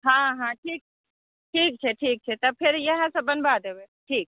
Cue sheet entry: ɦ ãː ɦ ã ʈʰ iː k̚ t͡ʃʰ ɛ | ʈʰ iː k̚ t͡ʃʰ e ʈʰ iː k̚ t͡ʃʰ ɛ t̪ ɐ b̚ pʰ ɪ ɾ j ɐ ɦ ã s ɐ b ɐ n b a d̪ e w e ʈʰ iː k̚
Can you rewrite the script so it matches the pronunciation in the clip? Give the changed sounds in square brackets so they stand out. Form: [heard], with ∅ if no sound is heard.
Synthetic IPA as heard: ɦ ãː ɦ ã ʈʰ iː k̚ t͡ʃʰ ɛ | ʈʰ iː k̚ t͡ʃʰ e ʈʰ iː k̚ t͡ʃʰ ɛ t̪ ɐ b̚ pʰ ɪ ɾ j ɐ ɦ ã s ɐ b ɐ n b a d̪ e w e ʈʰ iː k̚